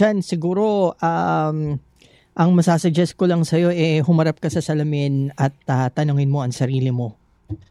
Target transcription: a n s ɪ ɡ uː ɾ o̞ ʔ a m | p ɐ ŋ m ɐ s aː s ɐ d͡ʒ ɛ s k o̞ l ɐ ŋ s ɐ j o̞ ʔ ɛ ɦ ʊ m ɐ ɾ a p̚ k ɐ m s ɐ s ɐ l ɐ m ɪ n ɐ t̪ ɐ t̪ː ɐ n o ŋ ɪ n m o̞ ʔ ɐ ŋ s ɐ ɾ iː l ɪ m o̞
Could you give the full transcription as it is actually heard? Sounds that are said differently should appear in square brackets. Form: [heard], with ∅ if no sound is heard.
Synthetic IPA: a n s ɪ ɡ uː ɾ o̞ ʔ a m | [ʔ] ɐ ŋ m ɐ s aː s ɐ d͡ʒ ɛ s k o̞ l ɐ ŋ s ɐ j o̞ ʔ ɛ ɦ ʊ m ɐ ɾ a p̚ k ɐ [∅] s ɐ s ɐ l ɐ m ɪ n ɐ t̪ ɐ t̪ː ɐ n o ŋ ɪ n m o̞ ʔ ɐ ŋ s ɐ ɾ iː l ɪ m o̞